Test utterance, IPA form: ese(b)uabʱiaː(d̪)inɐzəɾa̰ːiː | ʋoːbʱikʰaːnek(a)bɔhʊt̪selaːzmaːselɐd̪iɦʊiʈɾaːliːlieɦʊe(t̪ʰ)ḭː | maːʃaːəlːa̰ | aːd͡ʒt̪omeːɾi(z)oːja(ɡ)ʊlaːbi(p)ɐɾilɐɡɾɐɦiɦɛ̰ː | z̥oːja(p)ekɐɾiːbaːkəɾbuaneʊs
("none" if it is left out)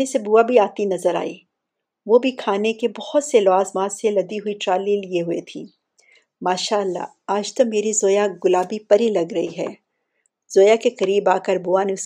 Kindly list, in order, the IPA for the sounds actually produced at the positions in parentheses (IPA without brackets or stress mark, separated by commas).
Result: b, t̪, e, t̪ʰ, z, ɡ, p, k